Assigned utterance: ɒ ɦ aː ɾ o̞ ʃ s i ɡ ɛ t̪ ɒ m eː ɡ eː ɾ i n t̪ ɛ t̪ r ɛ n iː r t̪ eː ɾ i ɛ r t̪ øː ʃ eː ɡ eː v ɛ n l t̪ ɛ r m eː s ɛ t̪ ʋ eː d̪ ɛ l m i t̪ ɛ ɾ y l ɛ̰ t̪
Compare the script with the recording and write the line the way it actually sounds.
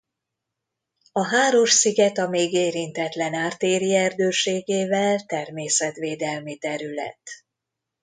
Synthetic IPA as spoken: ɒ ɦ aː ɾ o̞ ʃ s i ɡ ɛ t̪ ɒ m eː ɡ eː ɾ i n t̪ ɛ t̪ l ɛ n aː r t̪ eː ɾ i ɛ r d̪ øː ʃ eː ɡ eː v ɛ l t̪ ɛ r m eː s ɛ t̪ ʋ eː d̪ ɛ l m i t̪ ɛ ɾ y l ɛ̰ t̪